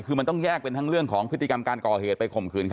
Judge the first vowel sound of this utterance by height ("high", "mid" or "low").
high